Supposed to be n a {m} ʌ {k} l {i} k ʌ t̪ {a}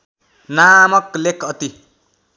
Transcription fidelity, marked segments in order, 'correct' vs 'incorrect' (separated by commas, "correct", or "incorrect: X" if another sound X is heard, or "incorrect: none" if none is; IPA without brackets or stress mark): correct, correct, incorrect: e, incorrect: i